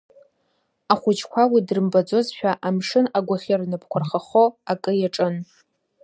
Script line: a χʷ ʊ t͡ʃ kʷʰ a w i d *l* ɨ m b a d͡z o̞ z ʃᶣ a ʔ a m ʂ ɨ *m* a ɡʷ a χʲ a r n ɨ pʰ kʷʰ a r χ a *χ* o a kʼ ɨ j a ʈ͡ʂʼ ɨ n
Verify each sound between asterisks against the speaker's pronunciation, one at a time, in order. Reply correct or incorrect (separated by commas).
incorrect, incorrect, correct